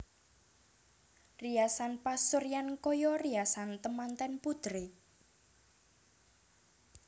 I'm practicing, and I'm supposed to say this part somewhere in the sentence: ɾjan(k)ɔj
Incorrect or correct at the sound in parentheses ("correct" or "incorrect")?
correct